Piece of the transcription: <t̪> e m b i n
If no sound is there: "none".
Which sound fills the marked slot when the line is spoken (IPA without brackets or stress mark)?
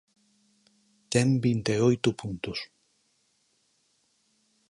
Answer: t̪